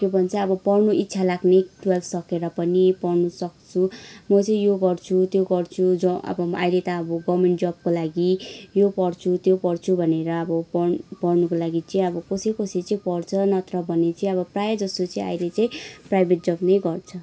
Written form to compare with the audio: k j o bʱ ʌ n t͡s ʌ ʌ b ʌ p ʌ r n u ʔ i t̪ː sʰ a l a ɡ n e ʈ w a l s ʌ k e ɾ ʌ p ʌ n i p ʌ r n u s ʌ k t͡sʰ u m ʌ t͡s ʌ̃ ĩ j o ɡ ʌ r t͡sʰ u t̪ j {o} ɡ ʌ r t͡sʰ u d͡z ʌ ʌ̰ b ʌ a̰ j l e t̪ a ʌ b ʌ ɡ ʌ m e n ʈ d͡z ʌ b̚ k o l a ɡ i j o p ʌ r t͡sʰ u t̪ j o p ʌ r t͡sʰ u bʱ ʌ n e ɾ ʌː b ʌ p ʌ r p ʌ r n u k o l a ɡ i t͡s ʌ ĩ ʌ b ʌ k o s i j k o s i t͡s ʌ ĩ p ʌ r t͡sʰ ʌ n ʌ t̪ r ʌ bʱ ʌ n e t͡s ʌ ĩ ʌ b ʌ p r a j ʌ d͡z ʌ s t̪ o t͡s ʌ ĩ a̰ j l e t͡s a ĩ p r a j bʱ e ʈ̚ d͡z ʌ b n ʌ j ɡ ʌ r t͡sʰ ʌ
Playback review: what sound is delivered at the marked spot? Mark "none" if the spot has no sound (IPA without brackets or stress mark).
o